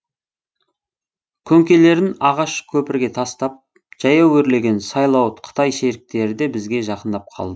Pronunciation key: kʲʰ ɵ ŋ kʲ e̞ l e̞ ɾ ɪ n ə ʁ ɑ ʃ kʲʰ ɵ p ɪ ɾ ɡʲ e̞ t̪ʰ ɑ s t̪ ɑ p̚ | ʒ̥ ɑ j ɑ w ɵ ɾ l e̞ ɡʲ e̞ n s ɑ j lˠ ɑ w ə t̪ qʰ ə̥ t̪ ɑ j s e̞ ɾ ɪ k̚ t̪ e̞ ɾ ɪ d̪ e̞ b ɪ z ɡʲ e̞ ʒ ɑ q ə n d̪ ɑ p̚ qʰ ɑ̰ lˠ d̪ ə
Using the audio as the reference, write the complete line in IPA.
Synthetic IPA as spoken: kʲʰ ɵ ŋ kʲ e̞ l e̞ ɾ ɪ n ɑ ʁ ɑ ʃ kʲʰ ɵ p ɪ ɾ ɡʲ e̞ t̪ʰ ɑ s t̪ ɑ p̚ | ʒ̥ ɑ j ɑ w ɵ ɾ l e̞ ɡʲ e̞ n s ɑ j lˠ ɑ w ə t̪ qʰ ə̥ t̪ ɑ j ʃ e̞ ɾ ɪ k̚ t̪ e̞ ɾ ɪ d̪ e̞ b ɪ z ɡʲ e̞ ʒ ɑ q ə n d̪ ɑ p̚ qʰ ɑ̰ lˠ d̪ ə